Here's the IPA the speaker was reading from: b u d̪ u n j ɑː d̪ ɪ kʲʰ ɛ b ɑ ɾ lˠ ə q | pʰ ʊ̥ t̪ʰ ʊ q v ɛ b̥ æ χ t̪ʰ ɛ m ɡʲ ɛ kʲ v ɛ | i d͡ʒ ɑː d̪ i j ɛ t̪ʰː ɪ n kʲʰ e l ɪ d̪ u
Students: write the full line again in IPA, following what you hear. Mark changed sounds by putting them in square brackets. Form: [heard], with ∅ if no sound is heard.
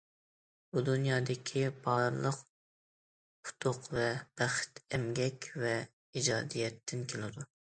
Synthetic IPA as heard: b u d̪ u n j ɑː d̪ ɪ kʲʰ [i] b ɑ ɾ lˠ ə q | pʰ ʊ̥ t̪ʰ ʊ q v ɛ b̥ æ χ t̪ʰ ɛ m ɡʲ ɛ kʲ v ɛ | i d͡ʒ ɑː d̪ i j ɛ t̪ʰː ɪ n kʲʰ e l ɪ d̪ u